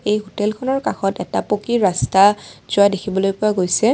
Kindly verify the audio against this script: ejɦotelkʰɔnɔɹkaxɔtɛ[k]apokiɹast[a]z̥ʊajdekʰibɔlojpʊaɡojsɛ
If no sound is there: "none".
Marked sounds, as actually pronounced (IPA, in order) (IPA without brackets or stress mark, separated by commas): t, a